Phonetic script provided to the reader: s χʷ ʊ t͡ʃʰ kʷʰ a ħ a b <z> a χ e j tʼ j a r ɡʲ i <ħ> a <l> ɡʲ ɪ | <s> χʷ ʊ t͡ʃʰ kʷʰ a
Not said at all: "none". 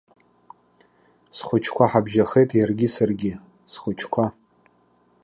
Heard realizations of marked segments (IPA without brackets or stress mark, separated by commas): ʒ, s, r, s